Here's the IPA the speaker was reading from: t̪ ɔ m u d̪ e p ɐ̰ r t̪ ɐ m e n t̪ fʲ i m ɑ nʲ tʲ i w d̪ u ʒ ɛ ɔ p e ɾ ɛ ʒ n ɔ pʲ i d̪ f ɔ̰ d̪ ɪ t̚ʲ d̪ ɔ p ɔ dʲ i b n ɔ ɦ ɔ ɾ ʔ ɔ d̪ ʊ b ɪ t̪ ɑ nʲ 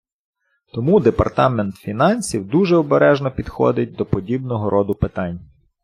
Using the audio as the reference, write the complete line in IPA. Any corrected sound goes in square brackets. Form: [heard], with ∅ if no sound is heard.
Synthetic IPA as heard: t̪ ɔ m u d̪ e p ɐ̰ r t̪ [ɑ] m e n t̪ fʲ i [n] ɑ nʲ [sʲ] i w d̪ u ʒ ɛ ɔ [b] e ɾ ɛ ʒ n ɔ pʲ i d̪ [x] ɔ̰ d̪ ɪ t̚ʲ d̪ ɔ p ɔ dʲ i b n ɔ ɦ ɔ ɾ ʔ ɔ d̪ ʊ [p] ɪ t̪ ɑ nʲ